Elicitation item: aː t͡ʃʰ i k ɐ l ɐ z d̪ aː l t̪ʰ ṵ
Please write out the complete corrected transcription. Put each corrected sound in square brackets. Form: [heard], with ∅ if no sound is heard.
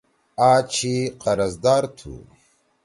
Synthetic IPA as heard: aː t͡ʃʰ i [q] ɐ [ɾ] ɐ z d̪ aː [ɾ] t̪ʰ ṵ